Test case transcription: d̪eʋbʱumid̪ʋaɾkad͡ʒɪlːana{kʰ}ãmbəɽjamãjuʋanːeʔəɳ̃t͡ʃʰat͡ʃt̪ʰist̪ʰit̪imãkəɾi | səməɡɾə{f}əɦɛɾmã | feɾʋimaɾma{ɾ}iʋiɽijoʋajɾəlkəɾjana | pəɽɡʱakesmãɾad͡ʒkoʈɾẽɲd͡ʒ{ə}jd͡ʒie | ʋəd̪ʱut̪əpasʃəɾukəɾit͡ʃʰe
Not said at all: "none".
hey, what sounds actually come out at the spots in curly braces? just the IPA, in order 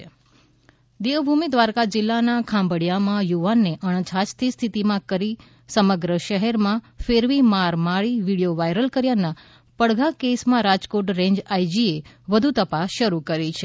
kʰ, ʃ, ɭ, a

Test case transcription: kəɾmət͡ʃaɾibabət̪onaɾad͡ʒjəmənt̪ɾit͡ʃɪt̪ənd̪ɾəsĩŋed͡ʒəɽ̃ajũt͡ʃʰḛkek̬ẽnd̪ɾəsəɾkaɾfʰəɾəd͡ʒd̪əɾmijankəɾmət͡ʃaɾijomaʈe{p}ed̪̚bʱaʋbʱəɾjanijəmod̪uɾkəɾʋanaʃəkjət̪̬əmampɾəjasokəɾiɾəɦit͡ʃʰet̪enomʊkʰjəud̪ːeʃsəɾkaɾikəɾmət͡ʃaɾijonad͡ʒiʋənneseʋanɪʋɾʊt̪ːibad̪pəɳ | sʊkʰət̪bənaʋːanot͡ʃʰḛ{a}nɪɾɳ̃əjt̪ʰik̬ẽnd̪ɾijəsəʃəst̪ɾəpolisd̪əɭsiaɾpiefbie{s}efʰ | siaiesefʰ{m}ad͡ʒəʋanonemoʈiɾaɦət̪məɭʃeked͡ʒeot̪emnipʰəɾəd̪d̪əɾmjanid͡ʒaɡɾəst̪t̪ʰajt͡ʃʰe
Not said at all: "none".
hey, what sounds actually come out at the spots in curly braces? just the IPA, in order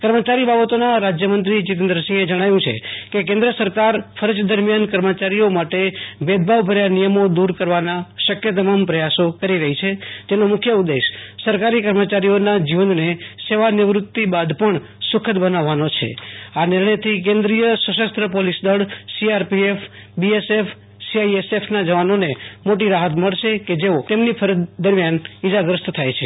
b, a, s, n

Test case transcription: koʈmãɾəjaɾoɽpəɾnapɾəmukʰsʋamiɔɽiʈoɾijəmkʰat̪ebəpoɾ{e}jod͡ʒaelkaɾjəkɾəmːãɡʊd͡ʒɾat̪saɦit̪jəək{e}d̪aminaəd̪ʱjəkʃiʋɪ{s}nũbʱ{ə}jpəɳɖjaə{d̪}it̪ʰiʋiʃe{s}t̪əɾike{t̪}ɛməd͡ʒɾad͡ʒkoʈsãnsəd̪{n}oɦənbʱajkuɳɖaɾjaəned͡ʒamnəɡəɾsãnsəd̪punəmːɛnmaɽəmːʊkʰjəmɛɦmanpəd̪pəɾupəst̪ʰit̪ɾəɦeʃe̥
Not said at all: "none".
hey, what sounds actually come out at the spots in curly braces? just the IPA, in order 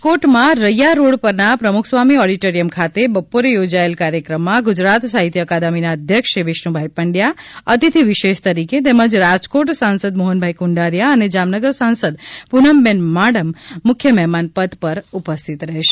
e, a, ʃ, a, t̪, ʃ, t̪, m

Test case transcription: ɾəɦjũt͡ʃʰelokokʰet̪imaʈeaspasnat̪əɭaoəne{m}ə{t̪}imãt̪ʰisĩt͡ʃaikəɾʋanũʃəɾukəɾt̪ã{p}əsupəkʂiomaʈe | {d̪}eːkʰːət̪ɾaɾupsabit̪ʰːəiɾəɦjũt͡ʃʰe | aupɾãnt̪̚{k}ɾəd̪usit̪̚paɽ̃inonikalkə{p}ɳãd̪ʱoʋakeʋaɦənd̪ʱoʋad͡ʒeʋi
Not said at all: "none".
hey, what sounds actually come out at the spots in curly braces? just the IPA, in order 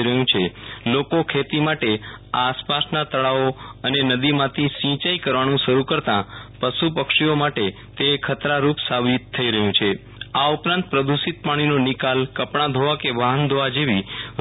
n, d̪, p, t̪, p, p

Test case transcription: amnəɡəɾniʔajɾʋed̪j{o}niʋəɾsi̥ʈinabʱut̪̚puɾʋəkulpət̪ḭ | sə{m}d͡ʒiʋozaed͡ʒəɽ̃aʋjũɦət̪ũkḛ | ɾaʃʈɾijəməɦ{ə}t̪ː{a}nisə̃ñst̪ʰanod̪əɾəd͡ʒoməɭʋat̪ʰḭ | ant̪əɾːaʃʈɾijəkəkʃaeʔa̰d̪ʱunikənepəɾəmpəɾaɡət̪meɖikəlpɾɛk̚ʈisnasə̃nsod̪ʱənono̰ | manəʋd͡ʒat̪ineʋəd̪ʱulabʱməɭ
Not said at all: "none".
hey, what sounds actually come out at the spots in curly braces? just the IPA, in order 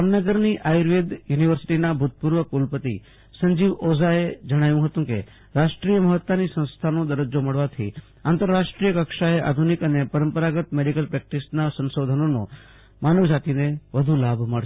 u, ɲ, ə, a

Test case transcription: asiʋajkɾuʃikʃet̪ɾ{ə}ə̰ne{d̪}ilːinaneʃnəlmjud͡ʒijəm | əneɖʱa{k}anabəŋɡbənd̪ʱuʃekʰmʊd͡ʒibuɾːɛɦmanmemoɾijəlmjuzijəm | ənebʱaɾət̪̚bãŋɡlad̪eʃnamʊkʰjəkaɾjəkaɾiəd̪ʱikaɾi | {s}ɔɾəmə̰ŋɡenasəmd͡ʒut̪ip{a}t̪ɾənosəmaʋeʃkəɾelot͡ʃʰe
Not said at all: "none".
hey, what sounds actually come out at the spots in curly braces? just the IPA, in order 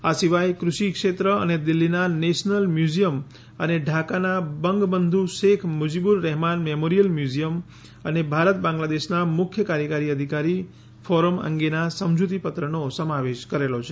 ə, d̪, k, f, ə

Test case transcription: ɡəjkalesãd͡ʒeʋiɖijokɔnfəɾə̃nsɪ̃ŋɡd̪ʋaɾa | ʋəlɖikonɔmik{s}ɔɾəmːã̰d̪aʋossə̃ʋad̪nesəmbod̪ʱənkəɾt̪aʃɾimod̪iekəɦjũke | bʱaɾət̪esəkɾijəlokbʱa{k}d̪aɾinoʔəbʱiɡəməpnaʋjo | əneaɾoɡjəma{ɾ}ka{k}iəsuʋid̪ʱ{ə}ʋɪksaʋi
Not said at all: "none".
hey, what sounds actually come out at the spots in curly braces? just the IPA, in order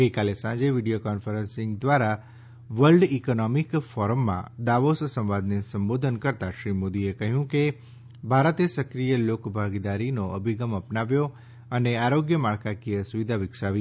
f, ɡ, ɭ, k, a

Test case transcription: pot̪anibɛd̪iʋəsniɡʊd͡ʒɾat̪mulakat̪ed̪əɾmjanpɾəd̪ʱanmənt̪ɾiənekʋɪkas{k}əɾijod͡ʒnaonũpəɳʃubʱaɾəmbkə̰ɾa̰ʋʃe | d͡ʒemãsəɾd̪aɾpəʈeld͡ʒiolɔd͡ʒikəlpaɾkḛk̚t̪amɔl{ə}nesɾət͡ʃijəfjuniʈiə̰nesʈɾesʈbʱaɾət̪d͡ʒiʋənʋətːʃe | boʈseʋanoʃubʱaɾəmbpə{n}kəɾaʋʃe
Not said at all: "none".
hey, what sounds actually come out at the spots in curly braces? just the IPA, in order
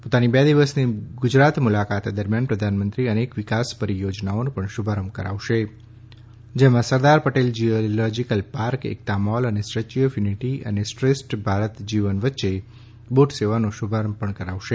p, ə, ɳ

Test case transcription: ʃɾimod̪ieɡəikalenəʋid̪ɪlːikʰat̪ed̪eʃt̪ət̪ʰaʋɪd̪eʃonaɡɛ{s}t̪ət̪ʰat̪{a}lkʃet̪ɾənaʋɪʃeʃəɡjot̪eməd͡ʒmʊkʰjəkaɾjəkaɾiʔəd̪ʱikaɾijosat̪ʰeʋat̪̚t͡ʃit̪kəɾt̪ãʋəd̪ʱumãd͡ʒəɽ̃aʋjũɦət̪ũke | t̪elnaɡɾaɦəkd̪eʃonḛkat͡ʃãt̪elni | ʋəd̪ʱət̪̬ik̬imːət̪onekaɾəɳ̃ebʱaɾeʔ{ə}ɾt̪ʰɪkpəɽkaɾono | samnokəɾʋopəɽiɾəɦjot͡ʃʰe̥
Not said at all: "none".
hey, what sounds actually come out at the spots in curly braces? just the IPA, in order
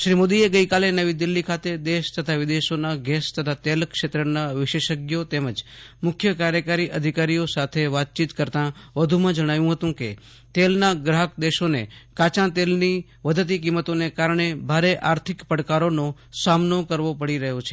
s, e, a

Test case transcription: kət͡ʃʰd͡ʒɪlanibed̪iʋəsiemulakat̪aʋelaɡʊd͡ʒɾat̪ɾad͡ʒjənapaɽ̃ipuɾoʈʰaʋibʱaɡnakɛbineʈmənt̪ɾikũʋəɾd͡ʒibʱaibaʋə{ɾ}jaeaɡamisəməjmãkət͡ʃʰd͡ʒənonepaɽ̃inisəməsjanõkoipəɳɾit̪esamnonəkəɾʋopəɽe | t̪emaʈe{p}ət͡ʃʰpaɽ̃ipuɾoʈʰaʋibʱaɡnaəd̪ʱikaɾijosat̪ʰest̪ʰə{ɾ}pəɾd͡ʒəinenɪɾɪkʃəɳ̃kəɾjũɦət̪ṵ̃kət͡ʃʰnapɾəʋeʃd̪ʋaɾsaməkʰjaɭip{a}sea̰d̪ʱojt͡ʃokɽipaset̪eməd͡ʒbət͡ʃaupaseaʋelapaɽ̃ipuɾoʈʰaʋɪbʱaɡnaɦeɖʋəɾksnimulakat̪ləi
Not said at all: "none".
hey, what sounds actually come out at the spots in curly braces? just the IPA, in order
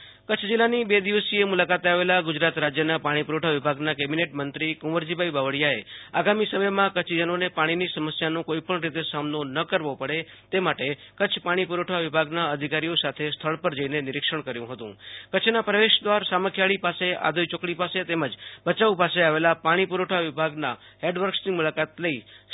ɽ, k, ɭ, a

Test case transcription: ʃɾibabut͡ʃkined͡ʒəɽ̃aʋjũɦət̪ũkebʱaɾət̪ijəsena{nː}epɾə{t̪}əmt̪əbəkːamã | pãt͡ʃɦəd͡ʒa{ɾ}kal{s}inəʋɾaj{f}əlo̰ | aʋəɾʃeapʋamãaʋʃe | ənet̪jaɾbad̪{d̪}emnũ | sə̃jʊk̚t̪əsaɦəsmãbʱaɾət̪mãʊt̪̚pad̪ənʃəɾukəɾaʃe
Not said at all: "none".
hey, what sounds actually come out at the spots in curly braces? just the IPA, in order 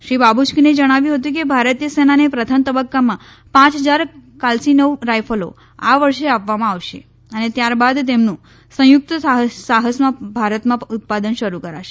n, t̪ʰ, ɾ, s, f, t̪

